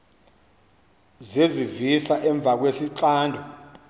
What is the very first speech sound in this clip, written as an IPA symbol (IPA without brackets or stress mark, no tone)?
z